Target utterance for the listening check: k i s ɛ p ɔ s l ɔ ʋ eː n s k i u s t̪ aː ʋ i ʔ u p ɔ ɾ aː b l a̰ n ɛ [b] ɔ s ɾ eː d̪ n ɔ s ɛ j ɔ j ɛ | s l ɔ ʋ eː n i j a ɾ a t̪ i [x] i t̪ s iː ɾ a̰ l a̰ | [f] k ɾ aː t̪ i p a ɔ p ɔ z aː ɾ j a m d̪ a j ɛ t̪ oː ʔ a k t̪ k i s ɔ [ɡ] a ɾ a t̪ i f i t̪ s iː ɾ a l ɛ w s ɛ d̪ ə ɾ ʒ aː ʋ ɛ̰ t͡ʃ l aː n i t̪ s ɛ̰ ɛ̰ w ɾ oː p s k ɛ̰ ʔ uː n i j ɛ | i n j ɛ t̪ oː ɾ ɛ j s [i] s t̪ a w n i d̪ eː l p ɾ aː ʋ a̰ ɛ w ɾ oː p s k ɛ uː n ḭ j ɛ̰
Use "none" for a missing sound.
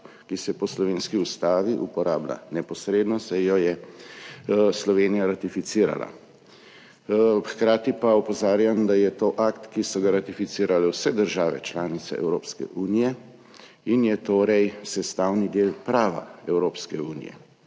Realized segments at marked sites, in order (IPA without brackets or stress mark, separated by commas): p, f, x, ɡ, ɛ